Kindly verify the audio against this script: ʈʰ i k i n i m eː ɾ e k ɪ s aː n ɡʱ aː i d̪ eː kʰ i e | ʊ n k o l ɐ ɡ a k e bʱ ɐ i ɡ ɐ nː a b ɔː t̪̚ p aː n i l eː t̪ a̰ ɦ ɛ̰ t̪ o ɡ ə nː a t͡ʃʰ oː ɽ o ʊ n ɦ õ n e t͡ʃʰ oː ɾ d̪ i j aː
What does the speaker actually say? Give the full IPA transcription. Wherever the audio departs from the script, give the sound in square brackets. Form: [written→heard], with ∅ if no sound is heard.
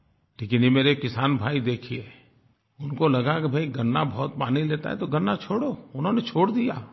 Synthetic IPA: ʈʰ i k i n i m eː ɾ e k ɪ s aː n [ɡʱ→bʱ] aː i d̪ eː kʰ i e | ʊ n k o l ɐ ɡ a k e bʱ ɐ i ɡ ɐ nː a b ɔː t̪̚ p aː n i l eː t̪ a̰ ɦ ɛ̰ t̪ o ɡ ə nː a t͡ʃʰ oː ɽ o ʊ n ɦ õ n e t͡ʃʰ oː [ɾ→ɽ] d̪ i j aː